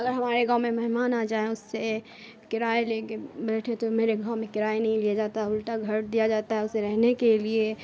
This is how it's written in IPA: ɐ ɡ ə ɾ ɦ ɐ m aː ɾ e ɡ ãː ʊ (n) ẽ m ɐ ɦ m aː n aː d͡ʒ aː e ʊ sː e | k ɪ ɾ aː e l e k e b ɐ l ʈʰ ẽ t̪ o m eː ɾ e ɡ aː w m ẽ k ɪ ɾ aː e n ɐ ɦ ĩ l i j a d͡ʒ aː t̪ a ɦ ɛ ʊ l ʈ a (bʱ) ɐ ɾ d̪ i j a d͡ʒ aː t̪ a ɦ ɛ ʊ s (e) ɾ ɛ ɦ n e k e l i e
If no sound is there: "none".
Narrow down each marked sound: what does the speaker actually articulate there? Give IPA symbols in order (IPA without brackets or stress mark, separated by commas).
m, ɡʱ, e